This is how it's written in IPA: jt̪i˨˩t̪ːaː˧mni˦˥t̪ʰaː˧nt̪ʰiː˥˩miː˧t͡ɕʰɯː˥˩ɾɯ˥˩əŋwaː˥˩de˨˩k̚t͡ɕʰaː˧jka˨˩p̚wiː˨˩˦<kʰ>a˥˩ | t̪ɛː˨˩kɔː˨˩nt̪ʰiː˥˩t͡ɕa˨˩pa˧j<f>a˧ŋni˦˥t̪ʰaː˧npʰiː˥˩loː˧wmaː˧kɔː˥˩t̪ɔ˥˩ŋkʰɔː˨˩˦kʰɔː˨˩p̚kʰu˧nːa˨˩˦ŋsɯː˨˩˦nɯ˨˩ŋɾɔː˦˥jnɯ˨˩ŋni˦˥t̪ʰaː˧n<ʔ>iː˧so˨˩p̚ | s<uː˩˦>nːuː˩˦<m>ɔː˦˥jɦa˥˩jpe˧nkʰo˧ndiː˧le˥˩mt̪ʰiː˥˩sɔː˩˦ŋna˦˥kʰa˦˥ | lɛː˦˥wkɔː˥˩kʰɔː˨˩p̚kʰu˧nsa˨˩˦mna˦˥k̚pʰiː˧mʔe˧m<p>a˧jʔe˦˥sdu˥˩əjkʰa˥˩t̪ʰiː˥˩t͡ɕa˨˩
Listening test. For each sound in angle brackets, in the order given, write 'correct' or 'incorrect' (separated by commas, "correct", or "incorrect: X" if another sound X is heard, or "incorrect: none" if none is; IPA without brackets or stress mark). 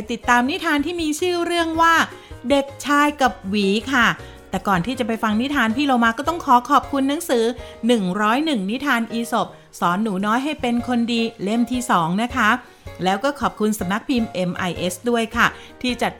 correct, correct, correct, incorrect: ɔː˩˦, incorrect: n, incorrect: ʔ